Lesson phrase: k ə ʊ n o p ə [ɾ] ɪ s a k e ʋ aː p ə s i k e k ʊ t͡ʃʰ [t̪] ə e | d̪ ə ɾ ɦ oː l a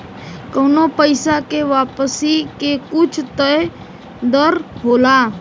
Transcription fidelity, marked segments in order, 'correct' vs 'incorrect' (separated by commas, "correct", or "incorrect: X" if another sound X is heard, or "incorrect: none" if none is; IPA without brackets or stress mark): incorrect: none, correct